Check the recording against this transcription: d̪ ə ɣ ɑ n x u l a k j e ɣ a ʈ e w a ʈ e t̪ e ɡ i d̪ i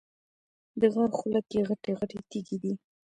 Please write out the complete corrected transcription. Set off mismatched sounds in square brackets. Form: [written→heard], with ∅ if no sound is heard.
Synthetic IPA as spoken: d̪ ə ɣ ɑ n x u l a k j e ɣ a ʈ e [w→ɣ] a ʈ e t̪ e ɡ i d̪ i